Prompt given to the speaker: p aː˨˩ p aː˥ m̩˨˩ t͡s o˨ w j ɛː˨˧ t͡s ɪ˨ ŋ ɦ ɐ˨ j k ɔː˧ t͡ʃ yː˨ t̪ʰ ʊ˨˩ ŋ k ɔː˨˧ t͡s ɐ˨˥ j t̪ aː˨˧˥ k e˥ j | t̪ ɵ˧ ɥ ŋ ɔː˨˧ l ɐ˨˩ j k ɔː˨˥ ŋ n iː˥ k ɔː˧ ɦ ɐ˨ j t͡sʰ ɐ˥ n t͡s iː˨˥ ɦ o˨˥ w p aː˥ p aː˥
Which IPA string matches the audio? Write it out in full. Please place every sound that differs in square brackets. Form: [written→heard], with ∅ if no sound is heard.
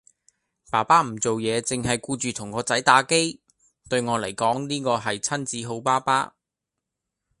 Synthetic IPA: p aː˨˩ p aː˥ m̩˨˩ t͡s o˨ w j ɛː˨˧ t͡s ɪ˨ ŋ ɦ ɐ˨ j k [ɔː˧→uː˧] t͡ʃ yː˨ t̪ʰ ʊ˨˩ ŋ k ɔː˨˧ t͡s ɐ˨˥ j t̪ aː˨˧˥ k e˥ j | t̪ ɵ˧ ɥ ŋ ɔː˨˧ l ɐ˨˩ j k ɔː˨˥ ŋ n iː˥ k ɔː˧ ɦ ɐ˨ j t͡sʰ ɐ˥ n t͡s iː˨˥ ɦ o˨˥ w p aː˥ p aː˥